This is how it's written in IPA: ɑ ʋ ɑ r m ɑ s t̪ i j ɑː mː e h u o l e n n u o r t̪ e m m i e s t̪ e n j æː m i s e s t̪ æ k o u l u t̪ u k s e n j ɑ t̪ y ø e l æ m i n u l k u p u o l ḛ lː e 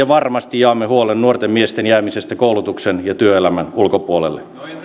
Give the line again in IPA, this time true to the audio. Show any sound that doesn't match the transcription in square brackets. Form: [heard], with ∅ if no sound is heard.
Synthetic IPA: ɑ ʋ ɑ r m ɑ s t̪ i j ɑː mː e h u o l e n n u o r t̪ e m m i e s t̪ e n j æː m i s e s t̪ æ k o u l u t̪ u k s e n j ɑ t̪ y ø e l æ m [æ] n u l k [o] p u o l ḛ lː e